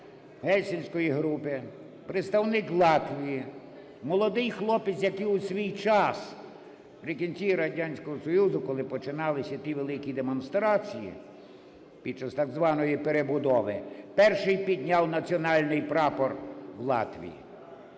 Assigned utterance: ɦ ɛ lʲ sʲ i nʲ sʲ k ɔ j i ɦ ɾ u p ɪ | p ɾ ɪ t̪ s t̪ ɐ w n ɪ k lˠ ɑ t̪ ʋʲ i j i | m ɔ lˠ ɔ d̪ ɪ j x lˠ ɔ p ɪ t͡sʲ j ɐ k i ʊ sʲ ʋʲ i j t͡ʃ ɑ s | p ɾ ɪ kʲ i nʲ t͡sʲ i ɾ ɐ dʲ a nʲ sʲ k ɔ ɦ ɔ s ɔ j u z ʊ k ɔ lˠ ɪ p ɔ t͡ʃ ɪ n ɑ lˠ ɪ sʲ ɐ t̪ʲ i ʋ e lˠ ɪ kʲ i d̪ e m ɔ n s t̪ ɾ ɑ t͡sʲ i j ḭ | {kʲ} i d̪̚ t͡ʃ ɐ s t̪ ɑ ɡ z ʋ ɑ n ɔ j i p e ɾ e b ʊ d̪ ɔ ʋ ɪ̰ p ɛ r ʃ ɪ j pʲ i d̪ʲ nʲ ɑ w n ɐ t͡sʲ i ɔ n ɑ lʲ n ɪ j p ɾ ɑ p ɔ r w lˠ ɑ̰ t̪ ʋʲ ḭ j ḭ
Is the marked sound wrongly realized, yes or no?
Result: yes